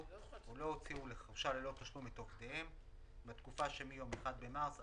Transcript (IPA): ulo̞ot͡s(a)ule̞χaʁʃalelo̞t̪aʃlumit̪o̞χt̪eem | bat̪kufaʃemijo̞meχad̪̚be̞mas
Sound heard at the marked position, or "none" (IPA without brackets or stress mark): i